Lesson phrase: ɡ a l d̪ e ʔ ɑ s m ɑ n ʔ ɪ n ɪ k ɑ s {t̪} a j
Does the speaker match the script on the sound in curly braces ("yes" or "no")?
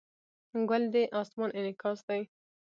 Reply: no